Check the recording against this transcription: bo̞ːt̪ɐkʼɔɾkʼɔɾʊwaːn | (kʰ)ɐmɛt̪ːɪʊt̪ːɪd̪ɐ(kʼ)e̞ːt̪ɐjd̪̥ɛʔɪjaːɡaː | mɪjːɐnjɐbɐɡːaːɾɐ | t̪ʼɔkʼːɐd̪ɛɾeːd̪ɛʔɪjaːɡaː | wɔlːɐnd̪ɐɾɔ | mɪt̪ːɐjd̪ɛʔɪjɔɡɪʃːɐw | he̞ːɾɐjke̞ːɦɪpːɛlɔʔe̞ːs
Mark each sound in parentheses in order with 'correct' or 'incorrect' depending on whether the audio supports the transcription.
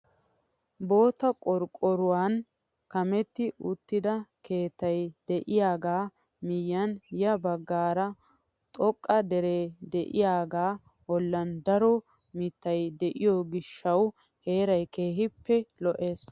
incorrect, incorrect

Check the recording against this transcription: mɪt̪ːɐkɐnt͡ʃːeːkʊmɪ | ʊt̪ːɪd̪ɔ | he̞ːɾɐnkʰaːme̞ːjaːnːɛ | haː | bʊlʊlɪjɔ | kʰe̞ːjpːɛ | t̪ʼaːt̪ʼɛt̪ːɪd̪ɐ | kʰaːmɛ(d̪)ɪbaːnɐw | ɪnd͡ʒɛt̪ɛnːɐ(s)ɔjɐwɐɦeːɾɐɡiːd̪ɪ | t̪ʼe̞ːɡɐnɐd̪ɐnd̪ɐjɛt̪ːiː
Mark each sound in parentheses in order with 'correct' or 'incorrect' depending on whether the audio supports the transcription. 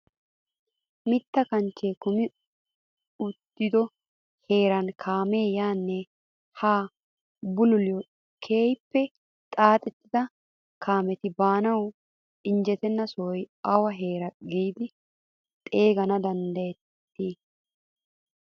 incorrect, correct

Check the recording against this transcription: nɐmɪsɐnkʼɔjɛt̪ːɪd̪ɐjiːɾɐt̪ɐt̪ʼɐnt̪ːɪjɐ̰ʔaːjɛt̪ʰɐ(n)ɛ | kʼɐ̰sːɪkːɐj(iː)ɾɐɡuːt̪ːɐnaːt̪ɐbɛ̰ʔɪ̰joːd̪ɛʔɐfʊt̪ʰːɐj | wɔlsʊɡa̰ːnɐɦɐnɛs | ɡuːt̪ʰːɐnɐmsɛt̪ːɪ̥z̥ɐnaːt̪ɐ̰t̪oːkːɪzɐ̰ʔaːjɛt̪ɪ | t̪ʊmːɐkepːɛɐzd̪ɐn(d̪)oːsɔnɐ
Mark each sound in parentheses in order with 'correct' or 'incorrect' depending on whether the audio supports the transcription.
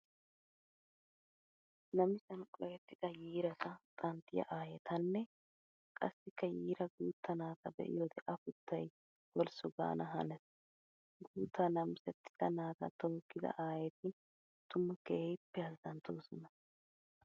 incorrect, correct, incorrect

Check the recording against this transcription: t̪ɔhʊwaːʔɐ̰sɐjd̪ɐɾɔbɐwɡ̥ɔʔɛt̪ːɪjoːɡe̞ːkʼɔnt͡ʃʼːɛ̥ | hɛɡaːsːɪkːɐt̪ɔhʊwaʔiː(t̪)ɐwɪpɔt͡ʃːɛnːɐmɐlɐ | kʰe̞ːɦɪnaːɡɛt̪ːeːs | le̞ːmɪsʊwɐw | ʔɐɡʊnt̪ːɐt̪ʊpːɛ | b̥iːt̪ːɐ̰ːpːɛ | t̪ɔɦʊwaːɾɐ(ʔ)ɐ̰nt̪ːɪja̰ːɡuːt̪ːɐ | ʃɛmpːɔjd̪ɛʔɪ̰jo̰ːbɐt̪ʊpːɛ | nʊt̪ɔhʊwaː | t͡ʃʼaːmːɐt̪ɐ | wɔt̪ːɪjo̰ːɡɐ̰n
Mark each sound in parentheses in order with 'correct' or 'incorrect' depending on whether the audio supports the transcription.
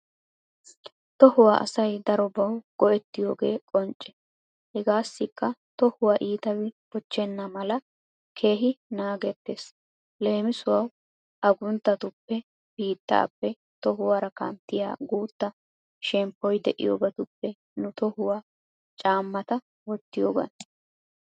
correct, incorrect

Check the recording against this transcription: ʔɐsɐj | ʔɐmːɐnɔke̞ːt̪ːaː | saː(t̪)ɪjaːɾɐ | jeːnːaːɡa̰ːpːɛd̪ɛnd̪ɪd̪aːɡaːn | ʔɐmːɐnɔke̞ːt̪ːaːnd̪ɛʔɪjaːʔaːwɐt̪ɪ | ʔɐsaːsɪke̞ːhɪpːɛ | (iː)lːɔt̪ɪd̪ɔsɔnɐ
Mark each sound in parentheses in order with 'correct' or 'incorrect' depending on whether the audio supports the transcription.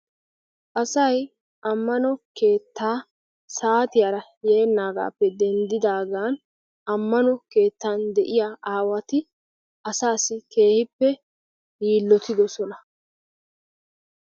correct, correct

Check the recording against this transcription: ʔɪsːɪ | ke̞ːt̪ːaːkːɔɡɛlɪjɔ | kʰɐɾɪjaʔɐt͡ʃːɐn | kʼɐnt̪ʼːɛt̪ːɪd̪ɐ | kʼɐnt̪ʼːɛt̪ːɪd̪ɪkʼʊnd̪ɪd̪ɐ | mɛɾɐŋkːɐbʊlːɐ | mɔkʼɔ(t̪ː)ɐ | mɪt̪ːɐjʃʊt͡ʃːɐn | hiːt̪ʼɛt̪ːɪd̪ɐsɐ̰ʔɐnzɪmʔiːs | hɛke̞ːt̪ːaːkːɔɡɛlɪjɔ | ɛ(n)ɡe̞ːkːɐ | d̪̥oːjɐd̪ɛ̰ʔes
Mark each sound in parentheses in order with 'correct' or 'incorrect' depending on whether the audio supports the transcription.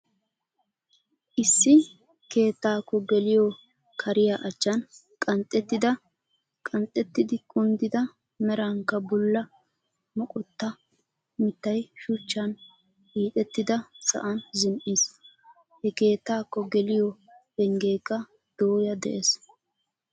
correct, incorrect

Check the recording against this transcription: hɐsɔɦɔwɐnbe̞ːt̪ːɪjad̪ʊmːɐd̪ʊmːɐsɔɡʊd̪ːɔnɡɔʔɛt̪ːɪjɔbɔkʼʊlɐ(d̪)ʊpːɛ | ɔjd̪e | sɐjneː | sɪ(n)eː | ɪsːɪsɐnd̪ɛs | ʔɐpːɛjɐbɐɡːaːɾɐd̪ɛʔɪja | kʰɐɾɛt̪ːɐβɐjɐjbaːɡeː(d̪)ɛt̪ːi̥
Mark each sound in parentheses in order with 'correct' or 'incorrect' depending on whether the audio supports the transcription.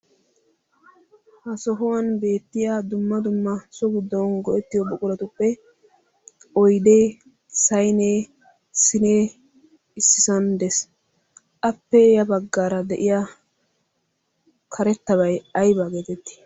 incorrect, correct, incorrect

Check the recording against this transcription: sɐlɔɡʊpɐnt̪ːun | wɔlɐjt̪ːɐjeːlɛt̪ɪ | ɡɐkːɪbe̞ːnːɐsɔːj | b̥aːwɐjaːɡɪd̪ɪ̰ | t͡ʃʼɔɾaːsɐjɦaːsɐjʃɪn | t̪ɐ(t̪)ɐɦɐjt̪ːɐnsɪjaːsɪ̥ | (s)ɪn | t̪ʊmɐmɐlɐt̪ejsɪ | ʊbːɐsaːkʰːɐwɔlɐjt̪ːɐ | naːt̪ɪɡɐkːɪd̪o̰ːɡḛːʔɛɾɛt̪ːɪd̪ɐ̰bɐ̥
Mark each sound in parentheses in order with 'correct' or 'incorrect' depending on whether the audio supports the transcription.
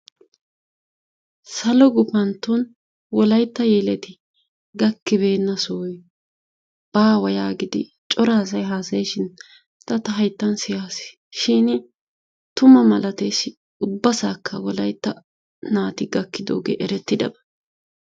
correct, incorrect

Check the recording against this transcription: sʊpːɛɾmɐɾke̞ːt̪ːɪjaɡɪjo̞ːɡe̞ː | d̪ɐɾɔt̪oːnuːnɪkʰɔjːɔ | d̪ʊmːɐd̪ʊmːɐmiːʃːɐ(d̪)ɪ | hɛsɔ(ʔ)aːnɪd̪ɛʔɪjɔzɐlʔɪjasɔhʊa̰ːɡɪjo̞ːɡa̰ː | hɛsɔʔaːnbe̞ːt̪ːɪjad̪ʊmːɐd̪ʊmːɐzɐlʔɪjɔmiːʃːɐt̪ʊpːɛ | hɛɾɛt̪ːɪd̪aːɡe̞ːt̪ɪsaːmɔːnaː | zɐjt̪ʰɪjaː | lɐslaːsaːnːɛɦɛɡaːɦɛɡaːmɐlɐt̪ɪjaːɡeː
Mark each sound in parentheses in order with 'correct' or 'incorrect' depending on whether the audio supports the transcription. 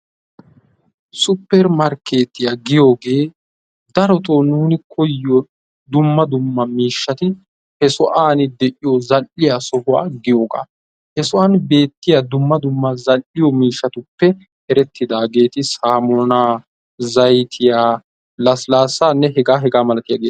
incorrect, correct

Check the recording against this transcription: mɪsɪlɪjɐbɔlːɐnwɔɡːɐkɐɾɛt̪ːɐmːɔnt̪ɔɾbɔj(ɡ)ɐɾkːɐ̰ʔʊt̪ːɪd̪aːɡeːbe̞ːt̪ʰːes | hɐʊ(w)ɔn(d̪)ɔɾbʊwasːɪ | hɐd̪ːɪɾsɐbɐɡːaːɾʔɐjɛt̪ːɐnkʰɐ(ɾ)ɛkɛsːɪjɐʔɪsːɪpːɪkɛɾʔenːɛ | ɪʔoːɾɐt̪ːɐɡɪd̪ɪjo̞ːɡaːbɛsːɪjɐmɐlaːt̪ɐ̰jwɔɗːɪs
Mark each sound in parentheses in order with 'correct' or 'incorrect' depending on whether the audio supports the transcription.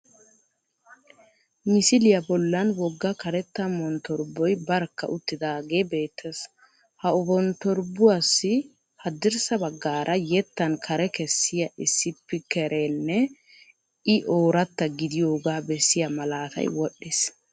incorrect, incorrect, incorrect, correct

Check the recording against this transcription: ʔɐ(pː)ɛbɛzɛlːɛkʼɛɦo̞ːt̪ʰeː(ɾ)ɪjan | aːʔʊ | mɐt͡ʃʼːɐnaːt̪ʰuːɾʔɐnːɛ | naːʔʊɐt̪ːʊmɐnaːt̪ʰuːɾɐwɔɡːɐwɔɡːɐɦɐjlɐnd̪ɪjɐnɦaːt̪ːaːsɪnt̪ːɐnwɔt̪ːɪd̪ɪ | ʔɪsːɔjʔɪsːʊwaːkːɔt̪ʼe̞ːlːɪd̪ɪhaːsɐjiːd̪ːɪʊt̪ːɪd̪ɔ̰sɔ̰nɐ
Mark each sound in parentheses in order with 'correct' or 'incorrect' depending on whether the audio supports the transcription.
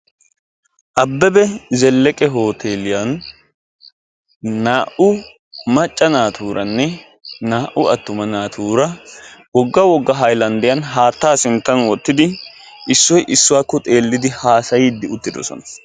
incorrect, incorrect

